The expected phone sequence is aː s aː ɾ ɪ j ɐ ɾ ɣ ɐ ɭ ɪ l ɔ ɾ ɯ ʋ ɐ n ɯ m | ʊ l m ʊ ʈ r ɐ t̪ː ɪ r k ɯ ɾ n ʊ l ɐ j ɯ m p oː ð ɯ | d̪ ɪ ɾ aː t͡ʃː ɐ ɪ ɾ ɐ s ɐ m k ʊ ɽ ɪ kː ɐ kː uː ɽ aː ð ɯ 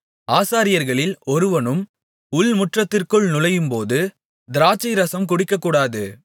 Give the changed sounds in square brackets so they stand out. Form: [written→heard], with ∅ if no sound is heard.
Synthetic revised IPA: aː s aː ɾ ɪ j ɐ ɾ ɣ ɐ ɭ ɪ l ɔ ɾ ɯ ʋ ɐ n ɯ m | ʊ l m ʊ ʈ r ɐ t̪ː ɪ r k ɯ [ɾ→ɭ] n ʊ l ɐ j ɯ m p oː ð ɯ | d̪ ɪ ɾ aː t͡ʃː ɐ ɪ ɾ ɐ s ɐ m k ʊ ɽ ɪ kː ɐ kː uː ɽ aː ð ɯ